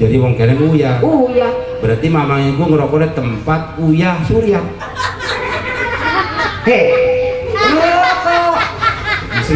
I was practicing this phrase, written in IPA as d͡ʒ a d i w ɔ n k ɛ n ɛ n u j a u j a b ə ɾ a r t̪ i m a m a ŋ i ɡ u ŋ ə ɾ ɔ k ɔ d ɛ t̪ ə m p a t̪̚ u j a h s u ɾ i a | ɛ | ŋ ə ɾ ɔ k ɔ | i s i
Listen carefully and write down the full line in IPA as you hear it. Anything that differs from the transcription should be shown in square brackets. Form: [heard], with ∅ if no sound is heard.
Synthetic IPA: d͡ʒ a d i w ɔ [ŋ] k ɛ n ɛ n u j a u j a b ə ɾ a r t̪ i m a m a ŋ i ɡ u ŋ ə ɾ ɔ k ɔ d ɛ t̪ ə m p a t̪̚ u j a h s u ɾ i a | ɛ | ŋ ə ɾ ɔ k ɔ | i s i